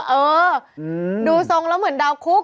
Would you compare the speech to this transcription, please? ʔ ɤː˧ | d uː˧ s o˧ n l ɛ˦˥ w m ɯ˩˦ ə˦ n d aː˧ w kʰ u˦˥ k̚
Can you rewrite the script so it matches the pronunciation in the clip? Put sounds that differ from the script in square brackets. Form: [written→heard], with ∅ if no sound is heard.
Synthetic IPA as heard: ʔ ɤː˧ | d uː˧ s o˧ [n→ŋ] l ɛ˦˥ w m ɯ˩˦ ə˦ n d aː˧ w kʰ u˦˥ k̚